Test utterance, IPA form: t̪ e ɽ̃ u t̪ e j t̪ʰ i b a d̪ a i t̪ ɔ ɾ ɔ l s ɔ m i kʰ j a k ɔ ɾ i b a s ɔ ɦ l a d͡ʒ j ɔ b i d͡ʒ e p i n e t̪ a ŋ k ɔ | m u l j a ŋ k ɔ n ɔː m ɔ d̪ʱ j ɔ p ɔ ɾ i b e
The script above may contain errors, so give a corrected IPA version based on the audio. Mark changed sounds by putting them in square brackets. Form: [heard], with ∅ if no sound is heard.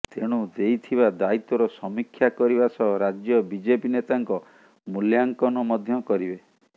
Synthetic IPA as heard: t̪ e ɽ̃ u [d̪] e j t̪ʰ i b a d̪ a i t̪ ɔ ɾ ɔ [∅] s ɔ m i kʰ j a k ɔ ɾ i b a s ɔ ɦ [ɾ] a d͡ʒ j ɔ b i d͡ʒ e p i n e t̪ a ŋ k ɔ | m u l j a ŋ k ɔ n [ɔ] m ɔ d̪ʱ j ɔ [k] ɔ ɾ i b e